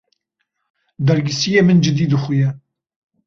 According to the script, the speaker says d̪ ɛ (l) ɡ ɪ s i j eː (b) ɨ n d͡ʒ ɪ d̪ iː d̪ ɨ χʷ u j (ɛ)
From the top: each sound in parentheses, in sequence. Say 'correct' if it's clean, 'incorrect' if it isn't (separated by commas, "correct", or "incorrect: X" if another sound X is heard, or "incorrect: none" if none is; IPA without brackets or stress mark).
incorrect: ɾ, incorrect: m, correct